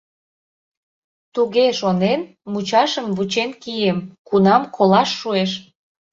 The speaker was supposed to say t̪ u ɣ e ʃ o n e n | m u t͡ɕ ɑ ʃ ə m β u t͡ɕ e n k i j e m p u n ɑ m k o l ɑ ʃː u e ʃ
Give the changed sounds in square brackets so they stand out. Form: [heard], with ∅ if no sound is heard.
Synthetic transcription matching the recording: t̪ u ɣ e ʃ o n e n | m u t͡ɕ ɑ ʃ ə m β u t͡ɕ e n k i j e m [k] u n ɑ m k o l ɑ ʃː u e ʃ